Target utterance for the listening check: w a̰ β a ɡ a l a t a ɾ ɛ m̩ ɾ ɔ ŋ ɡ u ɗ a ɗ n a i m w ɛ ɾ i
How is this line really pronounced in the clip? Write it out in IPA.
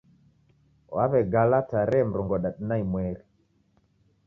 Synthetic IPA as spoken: w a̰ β ɛ ɡ a l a t a ɾ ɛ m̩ ɾ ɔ ŋ ɡ ɔ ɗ a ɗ n a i m w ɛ ɾ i